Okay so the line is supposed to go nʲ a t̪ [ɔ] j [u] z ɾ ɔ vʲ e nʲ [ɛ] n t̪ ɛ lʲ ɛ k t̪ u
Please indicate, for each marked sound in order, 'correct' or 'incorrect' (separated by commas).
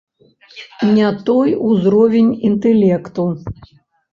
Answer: correct, correct, incorrect